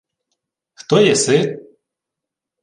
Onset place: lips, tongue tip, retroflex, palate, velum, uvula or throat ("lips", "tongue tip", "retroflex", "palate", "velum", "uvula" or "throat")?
velum